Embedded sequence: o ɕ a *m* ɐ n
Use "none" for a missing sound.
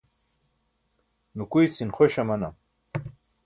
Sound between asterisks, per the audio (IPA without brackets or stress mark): m